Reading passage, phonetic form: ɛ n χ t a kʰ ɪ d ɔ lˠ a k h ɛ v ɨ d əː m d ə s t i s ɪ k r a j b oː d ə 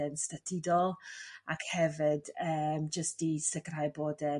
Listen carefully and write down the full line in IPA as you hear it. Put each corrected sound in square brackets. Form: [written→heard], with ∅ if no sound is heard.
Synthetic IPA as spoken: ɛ n [χ→s] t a [kʰ→tʰ] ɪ d ɔ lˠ a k h ɛ v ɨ d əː m [d→d͡ʒ] ə s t i s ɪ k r a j b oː d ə